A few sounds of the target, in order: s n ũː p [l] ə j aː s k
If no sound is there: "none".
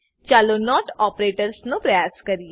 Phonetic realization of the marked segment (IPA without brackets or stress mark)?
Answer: ɾ